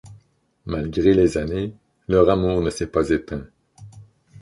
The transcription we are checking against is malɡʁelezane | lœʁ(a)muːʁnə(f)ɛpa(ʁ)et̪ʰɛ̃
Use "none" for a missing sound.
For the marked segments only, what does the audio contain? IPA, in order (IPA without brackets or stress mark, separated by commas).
a, s, z